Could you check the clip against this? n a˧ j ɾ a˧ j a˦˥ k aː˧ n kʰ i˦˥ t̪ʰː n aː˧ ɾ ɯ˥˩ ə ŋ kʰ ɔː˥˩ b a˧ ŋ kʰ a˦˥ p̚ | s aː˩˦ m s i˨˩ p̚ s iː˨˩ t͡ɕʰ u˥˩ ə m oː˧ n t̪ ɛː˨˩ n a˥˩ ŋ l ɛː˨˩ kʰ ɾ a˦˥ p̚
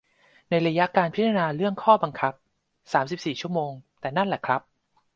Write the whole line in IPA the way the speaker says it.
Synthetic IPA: n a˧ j ɾ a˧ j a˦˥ k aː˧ n pʰ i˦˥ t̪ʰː n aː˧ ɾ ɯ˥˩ ə ŋ kʰ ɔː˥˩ b a˧ ŋ kʰ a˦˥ p̚ | s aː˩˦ m s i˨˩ p̚ s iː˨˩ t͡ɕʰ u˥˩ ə m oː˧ ŋ t̪ ɛː˨˩ n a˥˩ n l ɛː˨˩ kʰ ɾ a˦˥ p̚